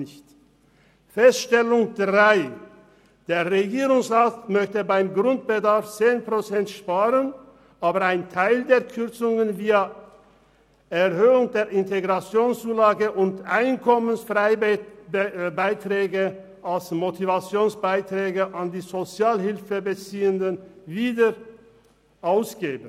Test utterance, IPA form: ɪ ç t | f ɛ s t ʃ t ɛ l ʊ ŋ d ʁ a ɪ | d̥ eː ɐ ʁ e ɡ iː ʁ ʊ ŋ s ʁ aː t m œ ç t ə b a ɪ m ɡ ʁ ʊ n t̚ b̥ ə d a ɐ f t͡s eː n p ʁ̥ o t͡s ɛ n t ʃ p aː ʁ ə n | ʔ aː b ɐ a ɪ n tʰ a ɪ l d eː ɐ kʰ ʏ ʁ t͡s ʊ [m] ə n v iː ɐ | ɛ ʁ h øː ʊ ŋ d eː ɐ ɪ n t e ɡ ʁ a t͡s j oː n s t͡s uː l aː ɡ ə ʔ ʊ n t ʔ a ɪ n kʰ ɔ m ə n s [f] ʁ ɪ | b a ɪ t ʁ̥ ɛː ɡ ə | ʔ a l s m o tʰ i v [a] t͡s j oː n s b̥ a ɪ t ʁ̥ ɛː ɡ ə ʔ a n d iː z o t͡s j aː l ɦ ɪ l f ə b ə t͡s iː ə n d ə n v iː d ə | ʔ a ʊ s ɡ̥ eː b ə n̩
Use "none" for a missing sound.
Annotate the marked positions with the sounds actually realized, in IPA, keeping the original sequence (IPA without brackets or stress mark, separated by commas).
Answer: ŋ, f, a